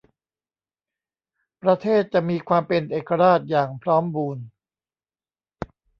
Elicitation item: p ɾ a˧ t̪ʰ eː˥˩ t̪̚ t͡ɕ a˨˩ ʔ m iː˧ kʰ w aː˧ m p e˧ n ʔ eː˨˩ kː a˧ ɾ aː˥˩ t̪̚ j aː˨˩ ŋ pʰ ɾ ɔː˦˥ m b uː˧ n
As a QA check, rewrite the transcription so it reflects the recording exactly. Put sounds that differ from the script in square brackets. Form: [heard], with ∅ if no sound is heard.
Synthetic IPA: p ɾ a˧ t̪ʰ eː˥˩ t̪̚ t͡ɕ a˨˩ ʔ m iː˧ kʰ w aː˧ m p e˧ n ʔ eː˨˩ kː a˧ ɾ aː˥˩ t̪̚ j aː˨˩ ŋ pʰ ɾ ɔː˦˥ m b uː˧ n